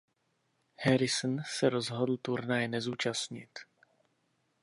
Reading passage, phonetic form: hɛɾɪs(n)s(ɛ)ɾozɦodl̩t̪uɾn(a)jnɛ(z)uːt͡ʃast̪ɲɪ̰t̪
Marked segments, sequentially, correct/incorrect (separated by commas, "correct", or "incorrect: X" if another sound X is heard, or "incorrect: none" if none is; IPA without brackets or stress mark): correct, correct, correct, correct